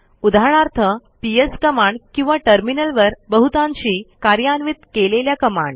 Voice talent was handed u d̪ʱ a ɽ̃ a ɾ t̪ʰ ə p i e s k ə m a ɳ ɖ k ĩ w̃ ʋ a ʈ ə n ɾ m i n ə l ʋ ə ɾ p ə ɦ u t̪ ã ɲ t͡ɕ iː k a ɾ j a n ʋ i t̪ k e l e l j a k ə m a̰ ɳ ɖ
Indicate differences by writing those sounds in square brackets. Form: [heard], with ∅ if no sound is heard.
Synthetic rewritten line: u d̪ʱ a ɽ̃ a ɾ t̪ʰ ə p i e s k ə m a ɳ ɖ k ĩ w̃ ʋ a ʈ ə [∅] ɾ m i n ə l ʋ ə ɾ [b] ə ɦ u t̪ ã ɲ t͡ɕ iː k a ɾ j a n ʋ i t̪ k e l e l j a k ə m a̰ ɳ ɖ